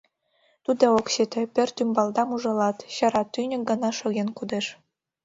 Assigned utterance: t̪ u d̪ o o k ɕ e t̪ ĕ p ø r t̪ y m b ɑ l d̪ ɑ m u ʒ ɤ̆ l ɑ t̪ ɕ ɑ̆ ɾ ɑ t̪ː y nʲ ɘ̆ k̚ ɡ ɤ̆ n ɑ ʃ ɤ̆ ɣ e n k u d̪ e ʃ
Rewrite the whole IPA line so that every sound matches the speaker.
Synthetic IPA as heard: t̪ u d̪ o o k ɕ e t̪ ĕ p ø r t̪ y m b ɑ l d̪ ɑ m u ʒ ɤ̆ l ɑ t̪ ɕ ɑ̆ ɾ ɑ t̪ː y nʲ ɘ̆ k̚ ɡ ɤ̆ n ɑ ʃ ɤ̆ ɣ e n k u d̪ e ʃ